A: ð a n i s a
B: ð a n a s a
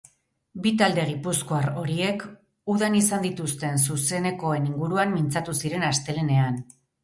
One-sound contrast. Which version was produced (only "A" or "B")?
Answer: A